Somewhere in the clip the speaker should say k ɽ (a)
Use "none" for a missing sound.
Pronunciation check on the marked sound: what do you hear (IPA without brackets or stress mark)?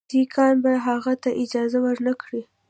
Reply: i